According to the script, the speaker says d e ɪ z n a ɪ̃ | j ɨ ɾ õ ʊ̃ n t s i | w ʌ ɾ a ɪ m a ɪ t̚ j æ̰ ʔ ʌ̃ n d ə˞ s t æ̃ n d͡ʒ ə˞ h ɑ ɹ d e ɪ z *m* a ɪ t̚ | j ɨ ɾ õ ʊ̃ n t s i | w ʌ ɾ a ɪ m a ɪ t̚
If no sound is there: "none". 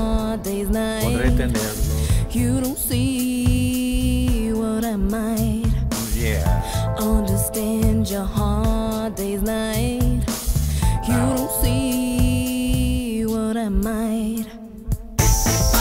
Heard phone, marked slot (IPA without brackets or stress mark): n